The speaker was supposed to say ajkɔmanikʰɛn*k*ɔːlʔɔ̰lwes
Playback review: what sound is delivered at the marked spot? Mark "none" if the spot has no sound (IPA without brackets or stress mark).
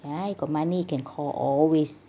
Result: kʰ